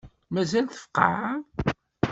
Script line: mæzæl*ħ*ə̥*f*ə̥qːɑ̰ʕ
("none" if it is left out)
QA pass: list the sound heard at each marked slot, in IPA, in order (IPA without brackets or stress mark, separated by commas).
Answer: θ, f